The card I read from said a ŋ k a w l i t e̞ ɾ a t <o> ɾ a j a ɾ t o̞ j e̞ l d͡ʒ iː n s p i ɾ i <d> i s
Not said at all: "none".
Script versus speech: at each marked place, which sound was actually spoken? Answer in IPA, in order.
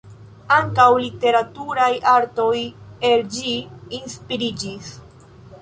u, d͡ʒ

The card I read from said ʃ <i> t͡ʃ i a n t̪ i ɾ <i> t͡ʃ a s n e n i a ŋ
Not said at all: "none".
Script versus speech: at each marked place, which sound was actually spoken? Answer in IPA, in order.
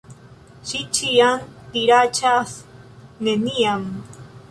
i, a

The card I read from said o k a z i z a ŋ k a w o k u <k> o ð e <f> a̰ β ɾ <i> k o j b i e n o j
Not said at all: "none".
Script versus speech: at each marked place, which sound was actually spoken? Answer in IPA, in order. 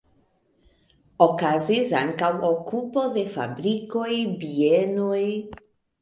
p, f, i

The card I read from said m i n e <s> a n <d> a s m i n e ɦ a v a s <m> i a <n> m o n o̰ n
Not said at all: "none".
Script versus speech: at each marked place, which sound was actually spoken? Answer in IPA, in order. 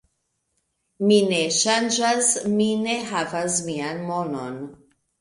ʃ, d͡ʒ, m, n

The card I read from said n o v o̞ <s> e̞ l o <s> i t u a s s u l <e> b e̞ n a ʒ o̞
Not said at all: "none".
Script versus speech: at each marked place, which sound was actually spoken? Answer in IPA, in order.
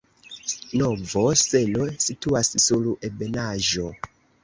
s, s, e

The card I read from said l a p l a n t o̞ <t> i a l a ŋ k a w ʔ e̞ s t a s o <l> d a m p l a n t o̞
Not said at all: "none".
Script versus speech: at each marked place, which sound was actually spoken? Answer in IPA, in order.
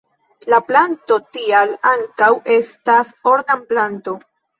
t, ɾ

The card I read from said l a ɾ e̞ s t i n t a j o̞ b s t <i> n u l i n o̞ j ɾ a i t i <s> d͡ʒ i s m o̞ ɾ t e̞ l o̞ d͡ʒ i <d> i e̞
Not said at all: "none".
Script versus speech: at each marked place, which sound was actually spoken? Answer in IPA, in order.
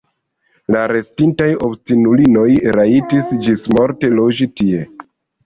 i, s, t

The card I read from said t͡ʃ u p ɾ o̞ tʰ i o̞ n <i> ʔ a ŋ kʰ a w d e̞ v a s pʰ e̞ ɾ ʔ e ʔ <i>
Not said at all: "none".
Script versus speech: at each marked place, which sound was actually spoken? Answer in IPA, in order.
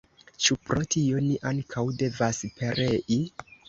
i, i

